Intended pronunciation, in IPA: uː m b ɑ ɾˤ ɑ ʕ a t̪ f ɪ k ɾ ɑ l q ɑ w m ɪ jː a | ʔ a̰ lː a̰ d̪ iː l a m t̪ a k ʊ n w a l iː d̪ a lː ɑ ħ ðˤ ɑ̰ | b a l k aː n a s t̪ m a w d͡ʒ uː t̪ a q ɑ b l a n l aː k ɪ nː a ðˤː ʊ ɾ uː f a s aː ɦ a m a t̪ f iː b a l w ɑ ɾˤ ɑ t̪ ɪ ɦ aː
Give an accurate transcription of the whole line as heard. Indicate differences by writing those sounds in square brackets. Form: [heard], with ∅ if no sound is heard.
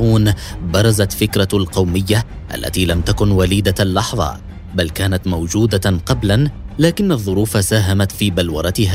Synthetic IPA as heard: uː [n] b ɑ ɾˤ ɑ [z] a t̪ f ɪ k ɾ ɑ l q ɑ w m ɪ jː a | ʔ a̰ lː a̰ [t̪] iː l a m t̪ a k ʊ n w a l iː d̪ a lː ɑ ħ ðˤ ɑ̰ | b a l k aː n a [∅] t̪ m a w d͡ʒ uː [d̪] a q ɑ b l a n l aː k ɪ nː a ðˤː ʊ ɾ uː f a s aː ɦ a m a t̪ f iː b a l w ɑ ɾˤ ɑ t̪ ɪ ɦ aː